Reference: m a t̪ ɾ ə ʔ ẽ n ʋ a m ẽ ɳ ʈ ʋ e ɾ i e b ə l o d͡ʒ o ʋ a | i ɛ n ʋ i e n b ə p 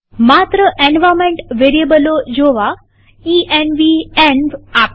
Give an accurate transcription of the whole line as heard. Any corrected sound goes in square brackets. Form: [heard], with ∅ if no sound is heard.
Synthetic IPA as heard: m a t̪ ɾ ə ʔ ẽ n ʋ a m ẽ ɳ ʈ ʋ e ɾ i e b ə l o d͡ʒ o ʋ a | i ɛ n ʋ i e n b [a] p